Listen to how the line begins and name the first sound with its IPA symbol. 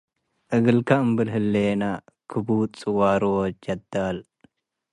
ʔ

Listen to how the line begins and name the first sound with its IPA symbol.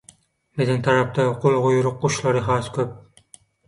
m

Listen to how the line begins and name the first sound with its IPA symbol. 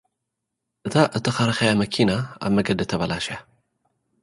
ʔ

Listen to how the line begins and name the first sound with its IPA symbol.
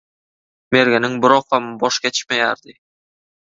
m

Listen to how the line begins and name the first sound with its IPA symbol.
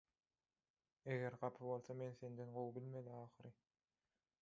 e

